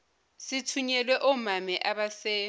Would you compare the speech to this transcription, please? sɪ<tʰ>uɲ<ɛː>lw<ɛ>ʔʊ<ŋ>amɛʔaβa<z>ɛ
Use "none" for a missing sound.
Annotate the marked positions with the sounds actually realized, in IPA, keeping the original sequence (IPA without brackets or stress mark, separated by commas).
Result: tʰ, ɛ, ɛ, m, s